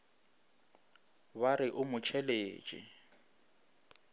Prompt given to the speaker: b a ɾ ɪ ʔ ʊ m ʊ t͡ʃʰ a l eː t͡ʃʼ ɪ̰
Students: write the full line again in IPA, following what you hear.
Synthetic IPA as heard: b a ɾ ɪ ʔ ʊ m ʊ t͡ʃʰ ɛ l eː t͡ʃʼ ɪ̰

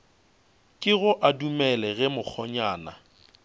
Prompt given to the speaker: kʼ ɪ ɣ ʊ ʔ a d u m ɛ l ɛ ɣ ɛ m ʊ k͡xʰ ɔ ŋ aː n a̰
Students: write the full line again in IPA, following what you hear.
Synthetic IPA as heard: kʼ ɪ ɣ ʊ ʔ a d u m ɛ l ɛ ɣ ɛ m ʊ k͡xʰ ɔ ɲ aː n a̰

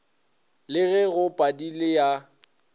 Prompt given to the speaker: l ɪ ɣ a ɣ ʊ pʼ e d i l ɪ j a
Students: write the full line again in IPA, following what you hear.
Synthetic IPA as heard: l ɪ ɣ ɛ ɣ ʊ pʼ a d i l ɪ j a

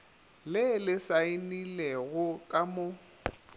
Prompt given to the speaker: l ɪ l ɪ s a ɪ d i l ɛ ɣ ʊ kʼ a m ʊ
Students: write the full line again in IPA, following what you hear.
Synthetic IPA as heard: l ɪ l ɪ s a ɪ n i l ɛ ɣ ʊ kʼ a m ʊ

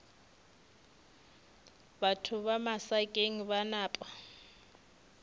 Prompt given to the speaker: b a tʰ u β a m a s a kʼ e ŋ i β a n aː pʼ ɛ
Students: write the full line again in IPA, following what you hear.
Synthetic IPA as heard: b a tʰ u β a m a s a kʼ e ŋ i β a n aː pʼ a

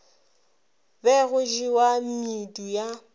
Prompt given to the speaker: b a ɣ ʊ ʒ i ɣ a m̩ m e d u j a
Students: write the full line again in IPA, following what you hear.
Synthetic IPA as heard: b ɛ ɣ ʊ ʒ i w a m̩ m i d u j a

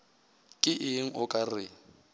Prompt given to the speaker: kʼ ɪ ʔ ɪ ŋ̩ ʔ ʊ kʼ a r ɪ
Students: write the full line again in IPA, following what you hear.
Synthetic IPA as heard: kʼ ɪ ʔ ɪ ŋ̩ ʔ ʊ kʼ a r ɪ

